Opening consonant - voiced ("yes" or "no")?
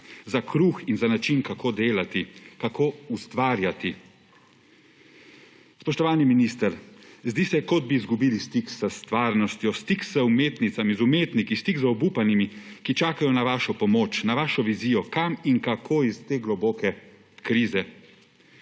yes